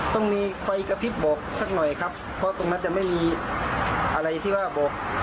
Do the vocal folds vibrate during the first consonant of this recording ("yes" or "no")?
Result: no